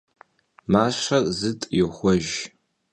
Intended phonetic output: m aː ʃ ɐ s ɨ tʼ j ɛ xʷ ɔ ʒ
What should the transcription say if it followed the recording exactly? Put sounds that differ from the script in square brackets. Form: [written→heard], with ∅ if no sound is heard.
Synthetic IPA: m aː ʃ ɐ [s→z] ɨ tʼ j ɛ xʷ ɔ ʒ